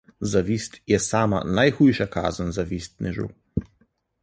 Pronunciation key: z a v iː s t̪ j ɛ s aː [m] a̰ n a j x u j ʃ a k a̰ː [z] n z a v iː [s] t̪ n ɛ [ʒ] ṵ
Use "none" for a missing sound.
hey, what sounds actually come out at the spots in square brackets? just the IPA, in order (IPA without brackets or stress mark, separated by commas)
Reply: m, z, s, ʒ